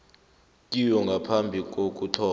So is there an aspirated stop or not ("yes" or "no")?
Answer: yes